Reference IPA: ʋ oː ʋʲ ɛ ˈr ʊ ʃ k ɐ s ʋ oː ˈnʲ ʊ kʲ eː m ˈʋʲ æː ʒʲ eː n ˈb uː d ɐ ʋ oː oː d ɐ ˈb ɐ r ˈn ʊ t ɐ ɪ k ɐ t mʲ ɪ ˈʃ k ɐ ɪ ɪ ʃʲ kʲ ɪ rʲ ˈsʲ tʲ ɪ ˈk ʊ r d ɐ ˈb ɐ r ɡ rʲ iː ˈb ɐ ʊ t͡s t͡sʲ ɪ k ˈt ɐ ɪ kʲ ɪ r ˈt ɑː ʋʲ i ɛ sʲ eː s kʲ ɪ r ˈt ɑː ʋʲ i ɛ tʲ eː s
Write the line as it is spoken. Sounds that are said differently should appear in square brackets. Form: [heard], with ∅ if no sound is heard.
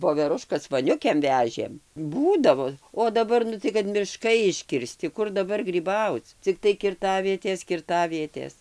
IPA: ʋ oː ʋʲ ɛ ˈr ʊ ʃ k ɐ s ʋ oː ˈnʲ ʊ kʲ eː m ˈʋʲ æː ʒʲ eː [m] ˈb uː d ɐ ʋ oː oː d ɐ ˈb ɐ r ˈn ʊ t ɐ ɪ k ɐ t mʲ ɪ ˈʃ k ɐ ɪ ɪ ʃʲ kʲ ɪ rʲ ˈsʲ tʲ ɪ ˈk ʊ r d ɐ ˈb ɐ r ɡ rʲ iː ˈb ɐ ʊ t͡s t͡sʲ ɪ k ˈt ɐ ɪ kʲ ɪ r ˈt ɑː ʋʲ i ɛ [tʲ] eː s kʲ ɪ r ˈt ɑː ʋʲ i ɛ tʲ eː s